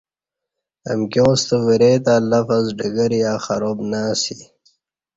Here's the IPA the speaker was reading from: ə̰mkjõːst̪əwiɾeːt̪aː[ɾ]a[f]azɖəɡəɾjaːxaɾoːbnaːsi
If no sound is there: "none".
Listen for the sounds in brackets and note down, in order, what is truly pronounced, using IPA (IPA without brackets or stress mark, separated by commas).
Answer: l, f